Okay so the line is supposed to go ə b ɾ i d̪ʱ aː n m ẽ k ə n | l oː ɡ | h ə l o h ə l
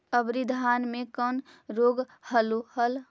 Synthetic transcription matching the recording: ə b ɾ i d̪ʱ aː n m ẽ k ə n | ɾ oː ɡ | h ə l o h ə l